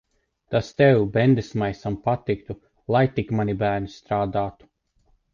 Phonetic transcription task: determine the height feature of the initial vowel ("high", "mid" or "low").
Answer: low